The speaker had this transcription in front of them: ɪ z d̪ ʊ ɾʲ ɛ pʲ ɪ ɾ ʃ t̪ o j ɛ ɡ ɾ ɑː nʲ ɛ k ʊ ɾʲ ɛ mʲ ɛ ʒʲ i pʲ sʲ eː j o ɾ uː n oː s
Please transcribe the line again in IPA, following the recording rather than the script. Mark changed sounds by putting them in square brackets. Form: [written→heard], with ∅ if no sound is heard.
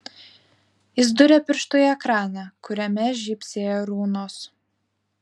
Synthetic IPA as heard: ɪ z d̪ ʊ ɾʲ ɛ pʲ ɪ ɾ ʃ t̪ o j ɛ [ɡ→k] ɾ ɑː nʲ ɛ k ʊ ɾʲ ɛ mʲ ɛ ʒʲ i pʲ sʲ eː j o ɾ uː n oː s

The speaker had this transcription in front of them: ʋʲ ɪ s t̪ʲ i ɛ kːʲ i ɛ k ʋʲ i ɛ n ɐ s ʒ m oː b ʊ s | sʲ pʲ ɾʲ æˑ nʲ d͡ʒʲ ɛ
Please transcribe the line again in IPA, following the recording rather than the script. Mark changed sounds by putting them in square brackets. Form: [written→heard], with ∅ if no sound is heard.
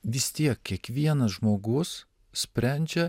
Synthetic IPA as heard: ʋʲ ɪ s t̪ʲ i ɛ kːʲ i ɛ k ʋʲ i ɛ n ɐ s ʒ m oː [b→ɡ] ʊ s | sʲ pʲ ɾʲ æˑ nʲ d͡ʒʲ ɛ

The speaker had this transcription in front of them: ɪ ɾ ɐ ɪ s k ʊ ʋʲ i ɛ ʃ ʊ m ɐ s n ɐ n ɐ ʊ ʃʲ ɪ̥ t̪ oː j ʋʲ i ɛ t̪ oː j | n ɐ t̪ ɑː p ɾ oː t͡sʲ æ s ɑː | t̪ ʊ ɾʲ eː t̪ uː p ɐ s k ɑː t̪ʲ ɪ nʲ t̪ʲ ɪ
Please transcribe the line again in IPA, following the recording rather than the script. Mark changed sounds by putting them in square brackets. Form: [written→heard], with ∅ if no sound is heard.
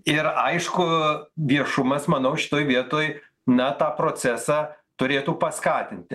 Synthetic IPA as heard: ɪ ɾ ɐ ɪ [s→ʃ] k ʊ ʋʲ i ɛ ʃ ʊ m ɐ s [n→m] ɐ n ɐ ʊ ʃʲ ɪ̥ t̪ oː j ʋʲ i ɛ t̪ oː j | n ɐ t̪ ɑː p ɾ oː t͡sʲ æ s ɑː | t̪ ʊ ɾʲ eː t̪ uː p ɐ s k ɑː t̪ʲ ɪ nʲ t̪ʲ ɪ

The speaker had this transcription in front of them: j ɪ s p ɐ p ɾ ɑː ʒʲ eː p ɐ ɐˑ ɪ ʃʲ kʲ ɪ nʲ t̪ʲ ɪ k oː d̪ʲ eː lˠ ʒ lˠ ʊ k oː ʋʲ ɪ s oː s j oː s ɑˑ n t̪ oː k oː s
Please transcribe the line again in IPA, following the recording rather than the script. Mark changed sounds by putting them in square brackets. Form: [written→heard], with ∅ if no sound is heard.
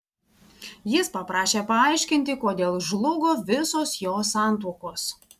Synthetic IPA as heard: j ɪ s p ɐ p ɾ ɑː [ʒʲ→ʃʲ] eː p ɐ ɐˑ ɪ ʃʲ kʲ ɪ nʲ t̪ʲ ɪ k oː d̪ʲ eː lˠ ʒ lˠ ʊ [k→ɡ] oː ʋʲ ɪ s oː s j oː s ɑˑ n t̪ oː k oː s

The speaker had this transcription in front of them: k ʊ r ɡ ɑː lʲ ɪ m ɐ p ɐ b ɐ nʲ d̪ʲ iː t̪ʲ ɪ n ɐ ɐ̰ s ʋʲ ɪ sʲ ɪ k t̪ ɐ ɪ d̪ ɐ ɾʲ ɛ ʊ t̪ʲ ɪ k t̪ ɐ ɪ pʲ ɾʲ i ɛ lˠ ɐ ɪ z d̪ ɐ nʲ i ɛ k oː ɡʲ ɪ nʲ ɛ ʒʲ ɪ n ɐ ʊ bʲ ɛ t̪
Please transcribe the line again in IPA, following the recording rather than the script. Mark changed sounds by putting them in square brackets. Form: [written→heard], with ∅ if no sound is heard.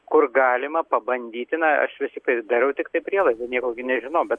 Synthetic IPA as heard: k ʊ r ɡ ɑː lʲ ɪ m ɐ p ɐ b ɐ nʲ d̪ʲ iː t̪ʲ ɪ n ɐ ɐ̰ [s→ʃ] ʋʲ ɪ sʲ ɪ k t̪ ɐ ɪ d̪ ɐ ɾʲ ɛ ʊ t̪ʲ ɪ k t̪ ɐ ɪ pʲ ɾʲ i ɛ lˠ ɐ ɪ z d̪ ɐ nʲ i ɛ k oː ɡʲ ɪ nʲ ɛ ʒʲ ɪ n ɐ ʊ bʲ ɛ t̪

